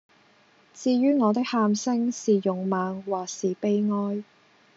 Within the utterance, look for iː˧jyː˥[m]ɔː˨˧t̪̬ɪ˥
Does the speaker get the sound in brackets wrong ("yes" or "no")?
yes